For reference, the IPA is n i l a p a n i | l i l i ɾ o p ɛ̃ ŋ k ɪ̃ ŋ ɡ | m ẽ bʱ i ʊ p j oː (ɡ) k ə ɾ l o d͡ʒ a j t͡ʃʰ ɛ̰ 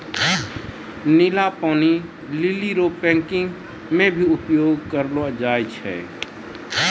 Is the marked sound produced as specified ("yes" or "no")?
yes